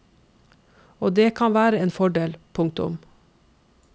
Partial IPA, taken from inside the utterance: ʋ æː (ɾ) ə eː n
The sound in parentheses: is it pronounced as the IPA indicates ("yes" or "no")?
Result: yes